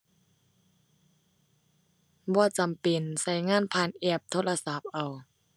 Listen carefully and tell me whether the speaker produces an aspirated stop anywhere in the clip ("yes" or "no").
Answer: yes